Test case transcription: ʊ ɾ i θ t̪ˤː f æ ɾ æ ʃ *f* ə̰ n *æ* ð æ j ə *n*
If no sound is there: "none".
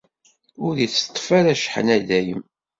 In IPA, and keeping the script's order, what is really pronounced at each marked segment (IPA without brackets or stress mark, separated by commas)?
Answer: ħ, æ, m